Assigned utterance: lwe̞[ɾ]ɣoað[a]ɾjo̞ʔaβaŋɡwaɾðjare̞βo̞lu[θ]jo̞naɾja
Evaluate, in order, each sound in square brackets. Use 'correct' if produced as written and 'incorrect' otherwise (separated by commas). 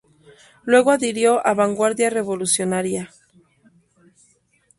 incorrect, incorrect, incorrect